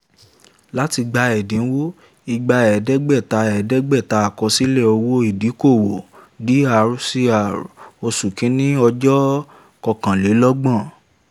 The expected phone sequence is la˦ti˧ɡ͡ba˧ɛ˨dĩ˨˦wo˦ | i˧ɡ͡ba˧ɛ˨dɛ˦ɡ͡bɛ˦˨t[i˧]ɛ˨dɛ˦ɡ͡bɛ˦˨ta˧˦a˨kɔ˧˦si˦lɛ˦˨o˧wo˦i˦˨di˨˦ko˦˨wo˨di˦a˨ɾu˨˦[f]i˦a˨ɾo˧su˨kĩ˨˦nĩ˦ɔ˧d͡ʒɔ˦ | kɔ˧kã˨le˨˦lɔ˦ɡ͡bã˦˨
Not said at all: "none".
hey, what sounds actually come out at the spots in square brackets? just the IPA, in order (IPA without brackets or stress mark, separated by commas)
a˧, s